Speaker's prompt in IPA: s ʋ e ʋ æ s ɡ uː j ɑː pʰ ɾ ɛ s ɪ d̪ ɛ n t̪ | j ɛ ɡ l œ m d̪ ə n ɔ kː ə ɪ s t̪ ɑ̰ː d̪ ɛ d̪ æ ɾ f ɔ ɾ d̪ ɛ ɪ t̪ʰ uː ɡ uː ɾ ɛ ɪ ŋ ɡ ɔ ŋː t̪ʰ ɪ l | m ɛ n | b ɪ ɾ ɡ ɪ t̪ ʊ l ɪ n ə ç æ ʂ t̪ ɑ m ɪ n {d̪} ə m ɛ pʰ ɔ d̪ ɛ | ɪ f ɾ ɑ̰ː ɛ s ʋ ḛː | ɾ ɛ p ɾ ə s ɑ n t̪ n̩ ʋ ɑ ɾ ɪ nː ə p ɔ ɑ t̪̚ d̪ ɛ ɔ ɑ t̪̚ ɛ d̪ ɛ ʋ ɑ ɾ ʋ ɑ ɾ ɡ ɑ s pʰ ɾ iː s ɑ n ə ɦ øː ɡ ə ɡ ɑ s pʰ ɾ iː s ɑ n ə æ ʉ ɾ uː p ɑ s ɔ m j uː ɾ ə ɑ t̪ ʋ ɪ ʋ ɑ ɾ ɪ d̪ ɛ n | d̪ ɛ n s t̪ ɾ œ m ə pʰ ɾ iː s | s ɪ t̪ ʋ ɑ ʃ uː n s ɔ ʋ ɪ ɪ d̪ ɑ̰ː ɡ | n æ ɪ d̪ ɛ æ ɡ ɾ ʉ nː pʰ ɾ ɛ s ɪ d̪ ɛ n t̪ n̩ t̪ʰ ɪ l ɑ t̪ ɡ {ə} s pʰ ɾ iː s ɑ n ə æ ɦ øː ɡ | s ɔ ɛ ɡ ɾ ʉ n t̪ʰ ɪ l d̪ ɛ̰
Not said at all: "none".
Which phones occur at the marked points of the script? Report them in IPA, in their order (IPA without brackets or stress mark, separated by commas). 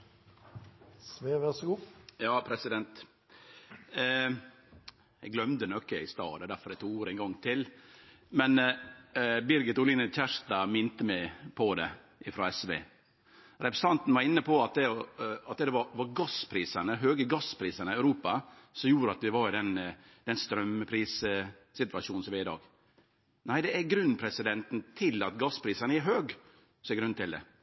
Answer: t̪, ɑ